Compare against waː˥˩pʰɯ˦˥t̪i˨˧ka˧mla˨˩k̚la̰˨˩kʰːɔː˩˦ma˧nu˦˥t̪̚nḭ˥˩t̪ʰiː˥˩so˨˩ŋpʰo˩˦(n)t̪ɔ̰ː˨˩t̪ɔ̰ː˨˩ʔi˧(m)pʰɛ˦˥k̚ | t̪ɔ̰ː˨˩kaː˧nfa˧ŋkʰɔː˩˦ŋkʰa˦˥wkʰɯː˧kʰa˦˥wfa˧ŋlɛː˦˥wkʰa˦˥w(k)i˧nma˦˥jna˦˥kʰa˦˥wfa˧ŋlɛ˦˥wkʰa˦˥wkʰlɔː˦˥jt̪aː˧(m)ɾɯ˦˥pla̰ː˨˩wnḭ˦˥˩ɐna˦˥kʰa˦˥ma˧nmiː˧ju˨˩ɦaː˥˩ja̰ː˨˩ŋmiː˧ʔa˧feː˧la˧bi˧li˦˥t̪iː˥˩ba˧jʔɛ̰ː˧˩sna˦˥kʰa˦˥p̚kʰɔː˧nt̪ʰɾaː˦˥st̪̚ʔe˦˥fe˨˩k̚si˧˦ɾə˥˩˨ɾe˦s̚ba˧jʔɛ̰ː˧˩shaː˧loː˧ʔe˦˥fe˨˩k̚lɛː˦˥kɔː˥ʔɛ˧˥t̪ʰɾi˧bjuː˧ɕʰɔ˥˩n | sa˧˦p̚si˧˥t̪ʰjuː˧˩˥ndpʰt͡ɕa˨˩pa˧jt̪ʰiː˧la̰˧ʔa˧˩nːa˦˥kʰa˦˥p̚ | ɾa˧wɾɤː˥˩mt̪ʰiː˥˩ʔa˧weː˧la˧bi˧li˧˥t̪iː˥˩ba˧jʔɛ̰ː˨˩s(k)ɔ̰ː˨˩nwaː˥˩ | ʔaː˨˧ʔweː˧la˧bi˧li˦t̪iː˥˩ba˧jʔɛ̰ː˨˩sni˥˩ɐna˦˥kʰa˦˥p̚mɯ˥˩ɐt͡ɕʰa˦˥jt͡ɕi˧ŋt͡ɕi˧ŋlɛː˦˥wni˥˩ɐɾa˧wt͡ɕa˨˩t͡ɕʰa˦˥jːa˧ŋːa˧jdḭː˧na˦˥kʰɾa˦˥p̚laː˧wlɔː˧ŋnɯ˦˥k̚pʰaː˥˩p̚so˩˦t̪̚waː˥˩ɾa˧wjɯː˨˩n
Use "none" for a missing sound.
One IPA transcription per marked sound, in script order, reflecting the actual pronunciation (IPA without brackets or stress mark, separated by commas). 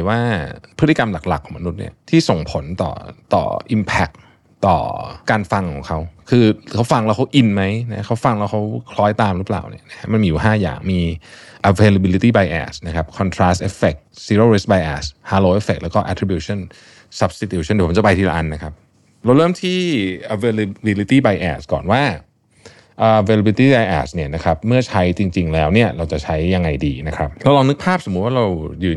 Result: n, m, ʔ, m, k